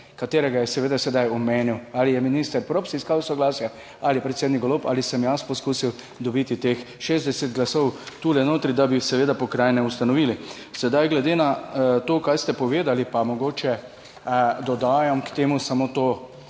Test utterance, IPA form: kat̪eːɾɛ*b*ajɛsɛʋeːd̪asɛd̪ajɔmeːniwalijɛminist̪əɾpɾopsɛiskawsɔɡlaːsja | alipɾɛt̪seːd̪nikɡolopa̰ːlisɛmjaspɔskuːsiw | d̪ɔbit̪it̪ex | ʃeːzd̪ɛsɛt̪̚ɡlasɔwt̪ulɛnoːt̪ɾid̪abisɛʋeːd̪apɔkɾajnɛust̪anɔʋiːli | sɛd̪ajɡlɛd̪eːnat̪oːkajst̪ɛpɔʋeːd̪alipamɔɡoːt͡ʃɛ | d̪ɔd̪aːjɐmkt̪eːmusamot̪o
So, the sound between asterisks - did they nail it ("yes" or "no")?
no